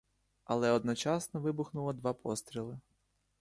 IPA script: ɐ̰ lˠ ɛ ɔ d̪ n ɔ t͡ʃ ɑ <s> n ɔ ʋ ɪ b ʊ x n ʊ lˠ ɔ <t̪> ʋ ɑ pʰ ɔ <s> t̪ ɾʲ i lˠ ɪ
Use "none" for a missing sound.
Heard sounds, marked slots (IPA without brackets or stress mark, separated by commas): s, d̪, s